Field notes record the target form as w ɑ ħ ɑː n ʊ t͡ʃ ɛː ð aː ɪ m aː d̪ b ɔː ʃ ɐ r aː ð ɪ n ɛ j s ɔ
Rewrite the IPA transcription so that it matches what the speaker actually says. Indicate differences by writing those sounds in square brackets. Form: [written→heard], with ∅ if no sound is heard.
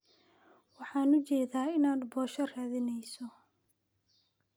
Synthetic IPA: w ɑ ħ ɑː n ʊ t͡ʃ ɛː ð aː ɪ [m→n] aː d̪ b ɔː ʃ ɐ r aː ð ɪ n ɛ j s ɔ